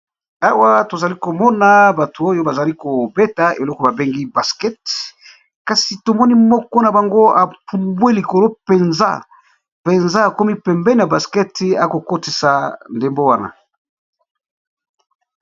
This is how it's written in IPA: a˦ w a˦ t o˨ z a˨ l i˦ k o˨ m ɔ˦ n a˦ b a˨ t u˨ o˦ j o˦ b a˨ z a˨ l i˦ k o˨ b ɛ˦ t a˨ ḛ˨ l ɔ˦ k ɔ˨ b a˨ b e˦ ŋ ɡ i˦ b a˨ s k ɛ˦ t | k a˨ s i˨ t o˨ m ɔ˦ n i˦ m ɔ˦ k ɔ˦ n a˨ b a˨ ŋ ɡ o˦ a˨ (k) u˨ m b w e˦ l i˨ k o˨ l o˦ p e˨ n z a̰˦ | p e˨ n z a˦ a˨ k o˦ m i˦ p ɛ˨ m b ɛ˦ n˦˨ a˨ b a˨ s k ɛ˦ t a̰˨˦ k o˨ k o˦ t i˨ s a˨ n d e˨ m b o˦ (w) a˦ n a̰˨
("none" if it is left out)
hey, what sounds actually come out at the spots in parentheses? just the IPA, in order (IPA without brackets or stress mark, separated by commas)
p, w